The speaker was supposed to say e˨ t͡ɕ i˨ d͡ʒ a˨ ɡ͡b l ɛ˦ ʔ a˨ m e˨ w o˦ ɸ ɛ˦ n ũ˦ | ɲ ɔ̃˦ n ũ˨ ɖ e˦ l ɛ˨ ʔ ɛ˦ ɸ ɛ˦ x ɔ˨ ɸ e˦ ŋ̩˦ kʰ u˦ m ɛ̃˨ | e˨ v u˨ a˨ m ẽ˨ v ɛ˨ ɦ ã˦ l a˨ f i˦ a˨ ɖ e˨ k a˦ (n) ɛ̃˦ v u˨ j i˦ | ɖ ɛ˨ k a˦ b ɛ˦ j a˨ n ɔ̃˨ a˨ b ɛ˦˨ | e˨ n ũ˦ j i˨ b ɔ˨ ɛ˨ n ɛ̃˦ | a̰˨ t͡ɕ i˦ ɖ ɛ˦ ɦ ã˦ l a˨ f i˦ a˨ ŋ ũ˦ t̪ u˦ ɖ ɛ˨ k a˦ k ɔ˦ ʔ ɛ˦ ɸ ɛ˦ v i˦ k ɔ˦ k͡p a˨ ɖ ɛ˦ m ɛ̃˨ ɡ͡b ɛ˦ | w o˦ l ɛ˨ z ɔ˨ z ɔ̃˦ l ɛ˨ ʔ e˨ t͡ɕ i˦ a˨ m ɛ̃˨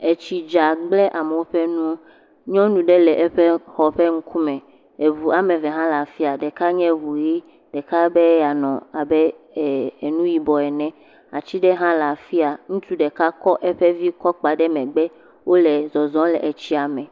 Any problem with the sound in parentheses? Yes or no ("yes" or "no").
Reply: yes